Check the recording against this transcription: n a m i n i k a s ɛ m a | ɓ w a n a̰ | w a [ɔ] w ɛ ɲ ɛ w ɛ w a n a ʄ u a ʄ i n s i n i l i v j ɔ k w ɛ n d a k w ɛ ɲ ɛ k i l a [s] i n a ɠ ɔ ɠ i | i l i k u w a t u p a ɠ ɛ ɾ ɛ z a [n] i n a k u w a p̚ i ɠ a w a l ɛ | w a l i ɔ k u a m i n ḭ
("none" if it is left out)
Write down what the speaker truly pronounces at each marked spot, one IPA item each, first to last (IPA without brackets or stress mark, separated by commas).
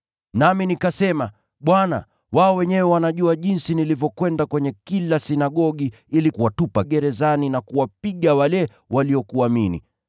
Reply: ɔ, s, n